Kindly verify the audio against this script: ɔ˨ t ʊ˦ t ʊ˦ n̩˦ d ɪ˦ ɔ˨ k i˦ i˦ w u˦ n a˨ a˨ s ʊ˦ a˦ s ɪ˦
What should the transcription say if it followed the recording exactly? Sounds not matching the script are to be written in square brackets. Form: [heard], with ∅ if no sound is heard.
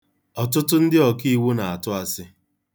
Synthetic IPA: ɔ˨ t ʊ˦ t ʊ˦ n̩˦ d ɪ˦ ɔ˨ k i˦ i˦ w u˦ n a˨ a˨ [t] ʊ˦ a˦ s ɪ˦